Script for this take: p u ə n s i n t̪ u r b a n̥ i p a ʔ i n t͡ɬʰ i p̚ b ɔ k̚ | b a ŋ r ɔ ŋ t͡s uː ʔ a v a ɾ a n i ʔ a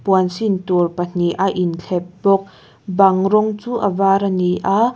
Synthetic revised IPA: p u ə n s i n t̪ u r p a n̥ i ʔ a ʔ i n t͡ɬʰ ɛ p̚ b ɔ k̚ | b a ŋ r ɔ ŋ t͡s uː ʔ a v a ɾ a n i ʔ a